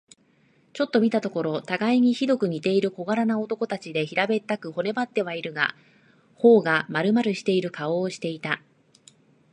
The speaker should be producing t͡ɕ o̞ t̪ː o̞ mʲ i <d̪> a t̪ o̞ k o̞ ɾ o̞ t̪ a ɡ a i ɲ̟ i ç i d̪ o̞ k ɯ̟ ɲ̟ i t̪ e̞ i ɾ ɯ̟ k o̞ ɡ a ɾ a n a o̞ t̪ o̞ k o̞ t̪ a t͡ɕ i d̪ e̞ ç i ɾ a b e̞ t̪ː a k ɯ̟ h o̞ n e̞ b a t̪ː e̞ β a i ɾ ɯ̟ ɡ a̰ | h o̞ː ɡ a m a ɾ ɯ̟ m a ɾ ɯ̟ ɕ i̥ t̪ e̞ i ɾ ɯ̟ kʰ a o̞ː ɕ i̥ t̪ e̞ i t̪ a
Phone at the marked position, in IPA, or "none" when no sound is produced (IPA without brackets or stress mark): t̪